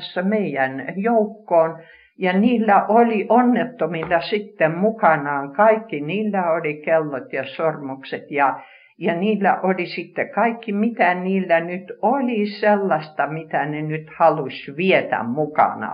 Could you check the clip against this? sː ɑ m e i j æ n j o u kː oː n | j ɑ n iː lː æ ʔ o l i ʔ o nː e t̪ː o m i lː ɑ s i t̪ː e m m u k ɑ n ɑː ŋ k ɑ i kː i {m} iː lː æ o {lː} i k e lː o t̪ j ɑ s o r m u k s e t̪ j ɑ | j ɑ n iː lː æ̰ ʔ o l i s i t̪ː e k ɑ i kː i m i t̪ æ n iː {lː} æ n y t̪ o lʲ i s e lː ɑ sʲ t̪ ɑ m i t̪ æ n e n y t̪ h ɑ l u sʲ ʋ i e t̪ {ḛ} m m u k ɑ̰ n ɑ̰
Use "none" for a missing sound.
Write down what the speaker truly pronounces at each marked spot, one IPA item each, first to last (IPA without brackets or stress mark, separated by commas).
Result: n, l, lː, æ̰